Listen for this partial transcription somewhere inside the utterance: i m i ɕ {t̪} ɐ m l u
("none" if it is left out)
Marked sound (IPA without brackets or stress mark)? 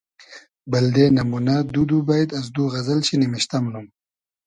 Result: t̪